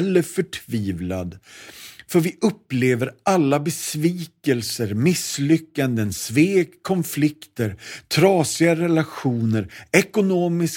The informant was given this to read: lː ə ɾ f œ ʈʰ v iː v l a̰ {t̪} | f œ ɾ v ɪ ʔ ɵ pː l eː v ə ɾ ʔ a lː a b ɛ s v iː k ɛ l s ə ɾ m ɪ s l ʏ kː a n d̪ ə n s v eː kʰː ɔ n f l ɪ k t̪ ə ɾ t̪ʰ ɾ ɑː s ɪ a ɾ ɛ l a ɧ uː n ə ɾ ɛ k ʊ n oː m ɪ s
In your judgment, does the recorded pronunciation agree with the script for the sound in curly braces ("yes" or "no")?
no